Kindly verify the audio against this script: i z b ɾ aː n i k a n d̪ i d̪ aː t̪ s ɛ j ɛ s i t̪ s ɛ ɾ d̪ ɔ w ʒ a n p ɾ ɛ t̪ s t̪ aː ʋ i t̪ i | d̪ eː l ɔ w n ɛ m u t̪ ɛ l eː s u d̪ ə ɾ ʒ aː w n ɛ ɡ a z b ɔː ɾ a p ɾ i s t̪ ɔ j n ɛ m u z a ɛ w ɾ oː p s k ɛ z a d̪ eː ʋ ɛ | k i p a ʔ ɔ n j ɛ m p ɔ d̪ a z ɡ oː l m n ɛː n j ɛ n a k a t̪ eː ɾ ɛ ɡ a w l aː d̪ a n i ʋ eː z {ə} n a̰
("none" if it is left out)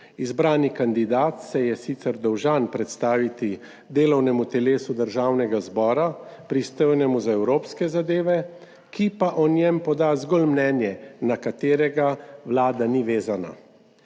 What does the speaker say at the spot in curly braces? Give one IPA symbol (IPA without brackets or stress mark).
a